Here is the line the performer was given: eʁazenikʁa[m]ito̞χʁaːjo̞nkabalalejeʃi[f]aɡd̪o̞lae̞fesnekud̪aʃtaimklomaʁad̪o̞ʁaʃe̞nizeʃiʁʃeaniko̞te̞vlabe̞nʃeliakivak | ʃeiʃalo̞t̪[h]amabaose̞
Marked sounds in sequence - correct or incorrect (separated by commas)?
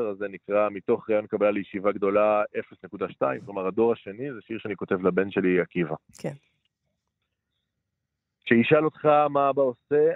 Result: correct, incorrect, incorrect